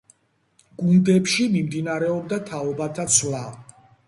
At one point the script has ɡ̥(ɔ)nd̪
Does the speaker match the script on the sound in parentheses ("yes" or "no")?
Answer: no